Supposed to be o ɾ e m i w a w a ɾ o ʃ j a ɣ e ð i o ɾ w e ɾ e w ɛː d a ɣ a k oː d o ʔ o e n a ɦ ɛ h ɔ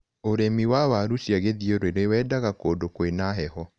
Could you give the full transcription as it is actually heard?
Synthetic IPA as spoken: o ɾ e m i w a w a ɾ u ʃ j a ɣ e ð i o ɾ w e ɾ e w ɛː d a ɣ a k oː d o k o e n a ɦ ɛ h ɔ